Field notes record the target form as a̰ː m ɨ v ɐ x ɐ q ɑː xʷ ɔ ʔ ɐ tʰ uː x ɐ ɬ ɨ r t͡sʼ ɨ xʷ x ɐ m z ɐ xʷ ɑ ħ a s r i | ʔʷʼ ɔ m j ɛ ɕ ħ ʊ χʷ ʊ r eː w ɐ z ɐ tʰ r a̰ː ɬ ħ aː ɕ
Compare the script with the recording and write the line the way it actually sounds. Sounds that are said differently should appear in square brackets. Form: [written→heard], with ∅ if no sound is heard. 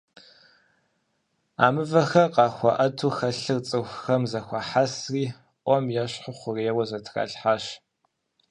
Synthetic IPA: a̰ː m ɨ v ɐ x ɐ q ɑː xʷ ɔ ʔ ɐ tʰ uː x ɐ ɬ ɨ r t͡sʼ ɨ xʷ x ɐ m z ɐ xʷ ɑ ħ a s r [i→iː] | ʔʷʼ ɔ m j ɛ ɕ ħ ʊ χʷ ʊ r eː w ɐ z ɐ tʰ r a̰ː ɬ ħ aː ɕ